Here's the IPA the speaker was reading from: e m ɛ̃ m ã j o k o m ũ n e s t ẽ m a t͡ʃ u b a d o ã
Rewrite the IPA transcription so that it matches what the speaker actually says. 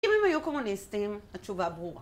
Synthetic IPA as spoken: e m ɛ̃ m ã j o k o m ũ n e s t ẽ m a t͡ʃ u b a b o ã